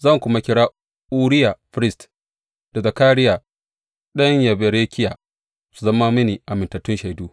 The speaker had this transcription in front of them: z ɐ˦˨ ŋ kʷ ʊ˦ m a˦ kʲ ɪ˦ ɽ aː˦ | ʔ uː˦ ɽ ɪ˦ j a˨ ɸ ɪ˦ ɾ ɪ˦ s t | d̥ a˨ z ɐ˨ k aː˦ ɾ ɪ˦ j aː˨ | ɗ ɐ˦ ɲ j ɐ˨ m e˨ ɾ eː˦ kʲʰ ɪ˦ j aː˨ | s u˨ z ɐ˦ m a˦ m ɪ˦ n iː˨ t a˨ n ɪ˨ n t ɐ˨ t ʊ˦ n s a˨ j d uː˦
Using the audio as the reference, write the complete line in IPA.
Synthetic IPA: z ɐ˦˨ ŋ kʷ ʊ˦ m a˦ kʲ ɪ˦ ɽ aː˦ | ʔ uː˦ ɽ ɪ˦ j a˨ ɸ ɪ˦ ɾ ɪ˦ s t | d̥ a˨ z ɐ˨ k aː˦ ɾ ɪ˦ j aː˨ | ɗ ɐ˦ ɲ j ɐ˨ b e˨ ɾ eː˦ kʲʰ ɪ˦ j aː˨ | s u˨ z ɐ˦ m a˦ m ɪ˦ n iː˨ ʔ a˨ m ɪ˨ n t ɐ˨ t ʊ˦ n ʃ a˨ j d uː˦